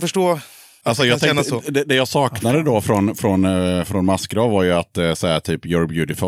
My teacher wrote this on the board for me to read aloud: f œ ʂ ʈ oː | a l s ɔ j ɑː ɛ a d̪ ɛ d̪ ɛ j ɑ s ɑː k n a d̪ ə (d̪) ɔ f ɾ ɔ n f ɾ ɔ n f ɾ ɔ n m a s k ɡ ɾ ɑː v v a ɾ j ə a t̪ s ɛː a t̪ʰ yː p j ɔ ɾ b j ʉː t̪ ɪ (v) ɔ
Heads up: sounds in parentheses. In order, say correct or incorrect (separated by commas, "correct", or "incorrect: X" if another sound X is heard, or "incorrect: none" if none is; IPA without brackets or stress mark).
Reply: correct, incorrect: f